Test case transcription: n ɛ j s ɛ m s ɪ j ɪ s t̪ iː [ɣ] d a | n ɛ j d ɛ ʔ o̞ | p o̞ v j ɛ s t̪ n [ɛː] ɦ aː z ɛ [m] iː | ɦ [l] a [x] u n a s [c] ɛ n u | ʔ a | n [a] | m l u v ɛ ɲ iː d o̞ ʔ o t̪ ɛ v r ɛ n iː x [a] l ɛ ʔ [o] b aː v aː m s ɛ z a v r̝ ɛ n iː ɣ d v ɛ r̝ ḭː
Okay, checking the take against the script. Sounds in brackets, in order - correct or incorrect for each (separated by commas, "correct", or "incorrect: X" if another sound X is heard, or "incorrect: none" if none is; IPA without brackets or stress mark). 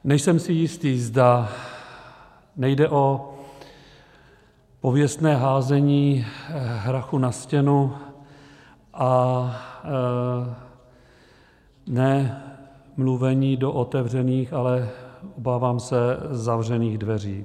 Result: incorrect: z, correct, incorrect: ɲ, incorrect: ɾ, correct, correct, incorrect: ɛ, correct, correct